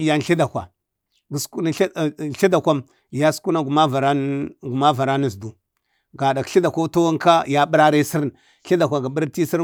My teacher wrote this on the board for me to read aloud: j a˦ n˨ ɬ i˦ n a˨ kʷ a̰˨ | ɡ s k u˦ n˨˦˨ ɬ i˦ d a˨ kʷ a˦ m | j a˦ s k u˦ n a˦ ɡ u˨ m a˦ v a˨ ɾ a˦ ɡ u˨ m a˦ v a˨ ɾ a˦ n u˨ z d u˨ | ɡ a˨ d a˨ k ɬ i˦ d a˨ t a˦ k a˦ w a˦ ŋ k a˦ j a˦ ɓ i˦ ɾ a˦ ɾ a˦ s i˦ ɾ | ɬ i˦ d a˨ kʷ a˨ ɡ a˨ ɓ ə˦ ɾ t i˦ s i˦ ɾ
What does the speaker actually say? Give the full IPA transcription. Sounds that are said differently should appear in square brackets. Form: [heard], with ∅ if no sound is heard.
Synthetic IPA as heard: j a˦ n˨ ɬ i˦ [d] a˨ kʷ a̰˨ | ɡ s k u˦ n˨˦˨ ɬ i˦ d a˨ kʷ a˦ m | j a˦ s k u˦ n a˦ ɡ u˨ m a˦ v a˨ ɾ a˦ ɡ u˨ m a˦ v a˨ ɾ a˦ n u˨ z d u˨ | ɡ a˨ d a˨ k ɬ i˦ d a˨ [k] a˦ [t] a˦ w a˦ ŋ k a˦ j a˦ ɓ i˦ ɾ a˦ ɾ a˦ s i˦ ɾ | ɬ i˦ d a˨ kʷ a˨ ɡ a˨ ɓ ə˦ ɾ t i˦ s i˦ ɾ